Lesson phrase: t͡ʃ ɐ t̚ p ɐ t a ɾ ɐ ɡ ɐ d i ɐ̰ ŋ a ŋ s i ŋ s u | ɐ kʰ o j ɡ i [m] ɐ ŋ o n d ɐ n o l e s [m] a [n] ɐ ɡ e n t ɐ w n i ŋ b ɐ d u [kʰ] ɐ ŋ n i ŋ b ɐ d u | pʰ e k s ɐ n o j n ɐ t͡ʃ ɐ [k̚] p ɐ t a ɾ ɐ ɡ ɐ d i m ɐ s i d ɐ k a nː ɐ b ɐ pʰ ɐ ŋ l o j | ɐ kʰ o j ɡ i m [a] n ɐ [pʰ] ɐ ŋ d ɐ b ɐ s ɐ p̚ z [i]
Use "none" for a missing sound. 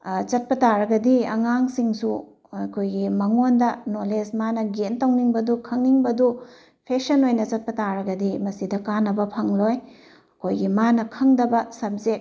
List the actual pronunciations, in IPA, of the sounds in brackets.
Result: m, m, n, kʰ, t̚, a, kʰ, e

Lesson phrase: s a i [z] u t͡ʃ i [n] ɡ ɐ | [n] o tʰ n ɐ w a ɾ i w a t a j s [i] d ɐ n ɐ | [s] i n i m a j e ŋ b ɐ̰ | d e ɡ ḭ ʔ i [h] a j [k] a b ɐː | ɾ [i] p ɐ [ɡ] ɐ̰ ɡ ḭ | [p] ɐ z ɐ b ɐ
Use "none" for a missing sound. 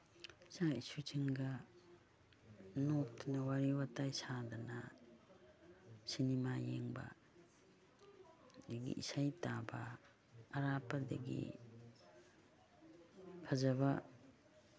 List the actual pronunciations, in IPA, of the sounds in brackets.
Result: s, ŋ, n, a, s, s, t, a, d, pʰ

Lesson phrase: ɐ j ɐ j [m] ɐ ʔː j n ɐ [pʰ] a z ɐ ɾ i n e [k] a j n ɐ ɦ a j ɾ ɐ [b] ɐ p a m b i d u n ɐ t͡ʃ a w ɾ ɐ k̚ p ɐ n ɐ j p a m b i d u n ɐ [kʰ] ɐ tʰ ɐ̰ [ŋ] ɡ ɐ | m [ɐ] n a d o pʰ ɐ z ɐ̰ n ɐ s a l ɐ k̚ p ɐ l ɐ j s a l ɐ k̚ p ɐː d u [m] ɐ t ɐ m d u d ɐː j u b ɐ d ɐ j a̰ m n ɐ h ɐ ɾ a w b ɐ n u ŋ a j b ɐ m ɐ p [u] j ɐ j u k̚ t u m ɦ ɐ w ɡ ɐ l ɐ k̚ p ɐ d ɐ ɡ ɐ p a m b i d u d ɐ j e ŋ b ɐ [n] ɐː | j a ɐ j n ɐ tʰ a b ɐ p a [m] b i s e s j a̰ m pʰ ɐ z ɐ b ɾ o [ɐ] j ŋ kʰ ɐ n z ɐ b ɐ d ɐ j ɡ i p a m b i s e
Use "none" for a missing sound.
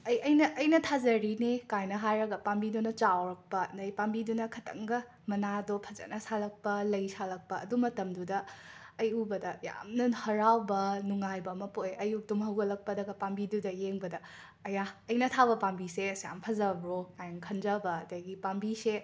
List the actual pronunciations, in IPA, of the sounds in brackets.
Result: n, tʰ, k, ɡ, kʰ, ŋ, ɐ, m, o, d, m, a

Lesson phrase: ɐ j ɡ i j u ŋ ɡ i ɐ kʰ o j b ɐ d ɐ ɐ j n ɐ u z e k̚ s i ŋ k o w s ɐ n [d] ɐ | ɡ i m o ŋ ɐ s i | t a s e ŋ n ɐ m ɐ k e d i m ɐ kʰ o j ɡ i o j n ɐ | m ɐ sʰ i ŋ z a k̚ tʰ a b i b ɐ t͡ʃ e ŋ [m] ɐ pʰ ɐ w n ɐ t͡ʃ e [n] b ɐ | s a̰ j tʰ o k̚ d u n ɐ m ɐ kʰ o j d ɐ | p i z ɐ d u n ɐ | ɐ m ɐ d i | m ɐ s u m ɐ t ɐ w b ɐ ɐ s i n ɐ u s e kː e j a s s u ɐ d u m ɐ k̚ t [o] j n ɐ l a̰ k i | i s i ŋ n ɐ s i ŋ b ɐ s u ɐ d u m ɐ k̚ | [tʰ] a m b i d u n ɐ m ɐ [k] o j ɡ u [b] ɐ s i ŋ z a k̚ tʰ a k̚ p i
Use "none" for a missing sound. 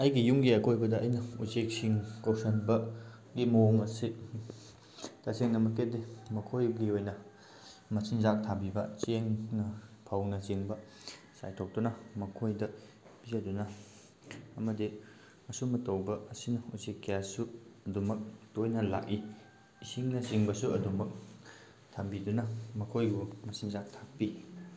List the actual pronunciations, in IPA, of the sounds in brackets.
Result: b, n, ŋ, o, tʰ, kʰ, m

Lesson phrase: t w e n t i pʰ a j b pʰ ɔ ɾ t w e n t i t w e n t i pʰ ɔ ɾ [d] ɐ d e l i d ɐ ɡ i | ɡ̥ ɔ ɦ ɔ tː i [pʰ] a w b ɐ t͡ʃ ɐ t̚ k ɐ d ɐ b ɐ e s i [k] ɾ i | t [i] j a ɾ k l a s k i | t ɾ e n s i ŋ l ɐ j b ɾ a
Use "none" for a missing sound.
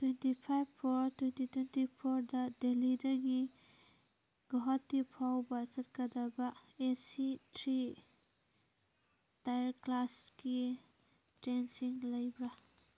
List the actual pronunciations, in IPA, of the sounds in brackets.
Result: d, pʰ, t, a

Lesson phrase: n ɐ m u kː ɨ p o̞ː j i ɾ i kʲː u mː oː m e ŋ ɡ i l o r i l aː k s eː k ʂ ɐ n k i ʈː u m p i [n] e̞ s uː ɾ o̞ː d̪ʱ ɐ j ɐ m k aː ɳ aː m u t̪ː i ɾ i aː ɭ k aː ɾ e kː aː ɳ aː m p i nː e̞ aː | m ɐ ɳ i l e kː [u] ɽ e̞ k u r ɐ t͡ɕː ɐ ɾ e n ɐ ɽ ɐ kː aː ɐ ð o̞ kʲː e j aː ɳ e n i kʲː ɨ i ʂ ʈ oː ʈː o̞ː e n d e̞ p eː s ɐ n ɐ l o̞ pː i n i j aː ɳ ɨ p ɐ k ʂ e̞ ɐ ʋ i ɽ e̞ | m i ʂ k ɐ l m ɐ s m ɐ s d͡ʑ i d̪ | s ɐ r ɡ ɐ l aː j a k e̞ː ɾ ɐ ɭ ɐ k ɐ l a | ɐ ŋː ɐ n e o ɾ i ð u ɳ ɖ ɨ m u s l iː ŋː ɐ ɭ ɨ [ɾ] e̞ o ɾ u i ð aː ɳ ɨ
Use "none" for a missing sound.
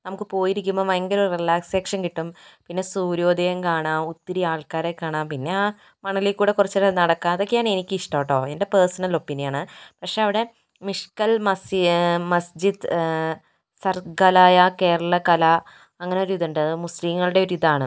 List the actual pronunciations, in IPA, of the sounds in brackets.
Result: nː, uː, ɽ

